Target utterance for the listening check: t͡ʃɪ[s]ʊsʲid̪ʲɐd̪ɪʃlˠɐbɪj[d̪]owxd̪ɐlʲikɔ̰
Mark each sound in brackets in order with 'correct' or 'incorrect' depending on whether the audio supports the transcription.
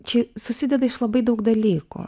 correct, correct

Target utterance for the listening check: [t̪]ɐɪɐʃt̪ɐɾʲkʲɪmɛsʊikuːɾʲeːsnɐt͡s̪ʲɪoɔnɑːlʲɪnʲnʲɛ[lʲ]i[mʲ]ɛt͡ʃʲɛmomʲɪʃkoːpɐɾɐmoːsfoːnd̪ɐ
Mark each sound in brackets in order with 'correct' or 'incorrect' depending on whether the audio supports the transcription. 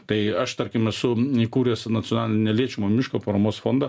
correct, correct, incorrect: none

